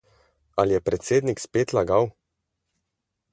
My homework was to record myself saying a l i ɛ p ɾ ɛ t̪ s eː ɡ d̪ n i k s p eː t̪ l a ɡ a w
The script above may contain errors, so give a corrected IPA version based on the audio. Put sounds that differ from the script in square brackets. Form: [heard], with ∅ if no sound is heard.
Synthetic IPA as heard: a l [j] ɛ p ɾ ɛ t̪ s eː [∅] d̪ n i k s p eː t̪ l a ɡ a w